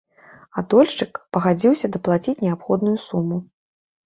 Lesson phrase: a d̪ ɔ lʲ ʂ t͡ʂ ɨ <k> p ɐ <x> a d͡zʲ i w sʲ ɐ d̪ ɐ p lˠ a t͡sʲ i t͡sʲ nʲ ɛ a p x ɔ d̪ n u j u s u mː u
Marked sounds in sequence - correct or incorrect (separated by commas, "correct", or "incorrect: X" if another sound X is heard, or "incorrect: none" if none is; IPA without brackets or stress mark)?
correct, incorrect: ɣ